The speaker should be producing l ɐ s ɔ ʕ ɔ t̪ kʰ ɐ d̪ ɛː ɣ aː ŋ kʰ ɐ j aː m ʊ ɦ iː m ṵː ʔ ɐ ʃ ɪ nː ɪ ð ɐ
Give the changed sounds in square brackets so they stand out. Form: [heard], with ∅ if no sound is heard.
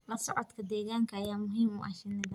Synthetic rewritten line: l ɐ s ɔ ʕ ɔ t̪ kʰ ɐ d̪ ɛː ɣ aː ŋ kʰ ɐ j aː m ʊ ɦ iː m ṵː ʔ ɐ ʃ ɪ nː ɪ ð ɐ